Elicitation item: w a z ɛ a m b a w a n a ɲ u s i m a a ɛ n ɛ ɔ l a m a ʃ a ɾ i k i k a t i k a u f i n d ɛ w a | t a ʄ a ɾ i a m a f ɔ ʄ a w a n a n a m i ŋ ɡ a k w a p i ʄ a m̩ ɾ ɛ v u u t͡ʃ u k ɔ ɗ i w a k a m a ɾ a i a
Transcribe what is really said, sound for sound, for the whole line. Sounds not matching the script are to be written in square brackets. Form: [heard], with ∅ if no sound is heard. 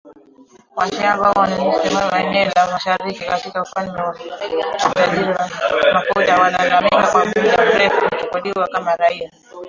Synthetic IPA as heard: w a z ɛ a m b a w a n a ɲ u s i m a a ɛ n ɛ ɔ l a m a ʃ a ɾ i k i k a t i k a u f [a] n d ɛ w a | t a ʄ [i] ɾ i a m a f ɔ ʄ a w a n a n a m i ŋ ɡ a k w a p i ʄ a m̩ ɾ ɛ [f] u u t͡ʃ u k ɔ ɗ i w a k a m a ɾ a i a